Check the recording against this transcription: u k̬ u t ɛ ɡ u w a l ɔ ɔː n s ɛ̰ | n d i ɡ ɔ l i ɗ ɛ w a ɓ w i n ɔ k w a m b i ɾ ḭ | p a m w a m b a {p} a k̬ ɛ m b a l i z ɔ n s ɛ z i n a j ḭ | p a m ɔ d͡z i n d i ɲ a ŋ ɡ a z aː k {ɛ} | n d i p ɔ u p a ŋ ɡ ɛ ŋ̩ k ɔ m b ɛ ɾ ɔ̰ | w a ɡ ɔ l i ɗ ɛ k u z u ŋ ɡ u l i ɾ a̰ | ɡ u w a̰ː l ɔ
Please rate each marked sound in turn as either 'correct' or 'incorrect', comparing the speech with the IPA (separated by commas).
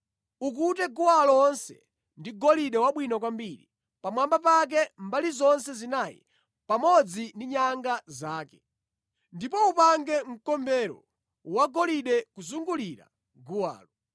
correct, correct